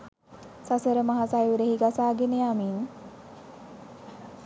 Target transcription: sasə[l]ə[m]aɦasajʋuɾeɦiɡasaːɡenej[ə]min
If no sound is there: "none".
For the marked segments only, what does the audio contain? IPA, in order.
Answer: ɾ, m, a

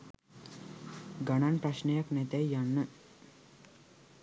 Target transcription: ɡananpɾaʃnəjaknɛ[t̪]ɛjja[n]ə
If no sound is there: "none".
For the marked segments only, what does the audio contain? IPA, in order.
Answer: t̪, nː

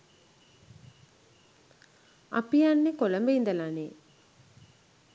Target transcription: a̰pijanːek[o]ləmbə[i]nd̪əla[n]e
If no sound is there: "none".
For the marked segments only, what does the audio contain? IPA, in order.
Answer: o, i, n

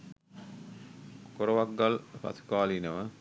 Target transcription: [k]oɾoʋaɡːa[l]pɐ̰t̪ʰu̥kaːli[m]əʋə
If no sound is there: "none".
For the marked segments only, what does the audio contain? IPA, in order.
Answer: k, l, n

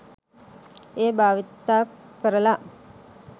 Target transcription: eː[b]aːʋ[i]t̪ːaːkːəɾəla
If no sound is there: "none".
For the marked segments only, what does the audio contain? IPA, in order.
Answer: b, i

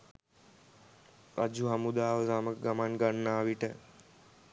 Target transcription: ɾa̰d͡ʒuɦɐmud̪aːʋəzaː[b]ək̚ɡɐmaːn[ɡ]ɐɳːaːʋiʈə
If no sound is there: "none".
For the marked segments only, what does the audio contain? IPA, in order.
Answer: m, ɡ

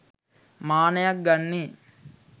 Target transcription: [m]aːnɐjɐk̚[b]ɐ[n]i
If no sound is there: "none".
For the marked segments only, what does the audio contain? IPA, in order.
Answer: m, ɡ, nː

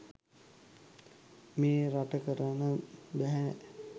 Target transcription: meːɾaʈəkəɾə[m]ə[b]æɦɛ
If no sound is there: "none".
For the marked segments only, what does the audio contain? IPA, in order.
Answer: n, b

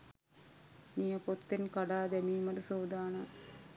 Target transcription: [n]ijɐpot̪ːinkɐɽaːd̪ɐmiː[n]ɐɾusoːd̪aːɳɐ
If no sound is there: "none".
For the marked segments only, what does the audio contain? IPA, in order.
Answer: n, m

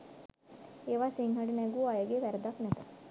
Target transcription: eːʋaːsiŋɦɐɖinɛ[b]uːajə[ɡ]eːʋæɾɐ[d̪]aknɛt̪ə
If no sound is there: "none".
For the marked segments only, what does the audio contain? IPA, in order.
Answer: ɡ, ɡ, d̪

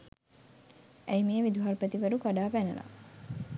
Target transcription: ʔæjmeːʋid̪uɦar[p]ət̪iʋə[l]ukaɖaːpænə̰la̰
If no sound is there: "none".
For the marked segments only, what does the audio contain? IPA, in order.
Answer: p, ɾ

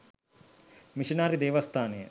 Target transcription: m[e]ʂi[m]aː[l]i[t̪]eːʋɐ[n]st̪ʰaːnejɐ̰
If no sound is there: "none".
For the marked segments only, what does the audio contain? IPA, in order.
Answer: i, n, ɾ, d̪, none

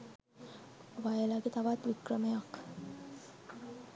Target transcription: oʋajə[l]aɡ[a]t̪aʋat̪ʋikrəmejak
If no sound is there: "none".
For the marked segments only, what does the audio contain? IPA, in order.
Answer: l, e

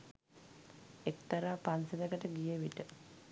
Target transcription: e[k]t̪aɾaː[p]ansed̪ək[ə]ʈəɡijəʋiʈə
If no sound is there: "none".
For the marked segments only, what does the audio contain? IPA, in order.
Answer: k, p, ə

